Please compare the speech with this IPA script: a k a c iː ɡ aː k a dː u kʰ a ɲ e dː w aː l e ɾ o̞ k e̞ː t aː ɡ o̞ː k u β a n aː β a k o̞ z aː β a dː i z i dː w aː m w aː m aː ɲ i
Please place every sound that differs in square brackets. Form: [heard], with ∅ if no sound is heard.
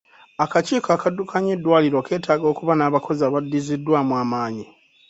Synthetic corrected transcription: a k a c iː [k] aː k a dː u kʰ a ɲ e dː w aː l [i] ɾ o̞ k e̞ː t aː ɡ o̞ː k u β a n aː β a k o̞ z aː β a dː i z i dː w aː m w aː m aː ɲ i